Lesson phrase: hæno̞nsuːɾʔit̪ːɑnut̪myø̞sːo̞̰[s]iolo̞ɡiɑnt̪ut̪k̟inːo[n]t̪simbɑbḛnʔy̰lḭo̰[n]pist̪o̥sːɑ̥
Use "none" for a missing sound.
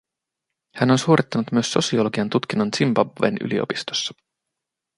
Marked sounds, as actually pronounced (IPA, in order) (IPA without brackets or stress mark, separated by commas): s, n, none